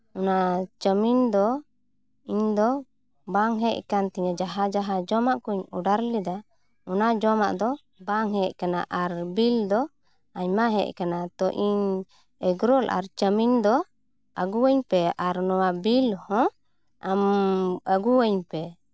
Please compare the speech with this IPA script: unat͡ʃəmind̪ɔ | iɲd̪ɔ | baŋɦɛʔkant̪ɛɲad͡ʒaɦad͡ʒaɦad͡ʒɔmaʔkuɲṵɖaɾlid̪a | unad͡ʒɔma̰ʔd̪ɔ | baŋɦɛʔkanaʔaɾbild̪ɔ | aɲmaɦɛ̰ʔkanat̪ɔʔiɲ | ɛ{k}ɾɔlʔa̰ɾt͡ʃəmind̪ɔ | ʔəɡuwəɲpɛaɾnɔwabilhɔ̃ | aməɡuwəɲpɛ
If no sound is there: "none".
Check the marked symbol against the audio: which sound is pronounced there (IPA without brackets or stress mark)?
ɡ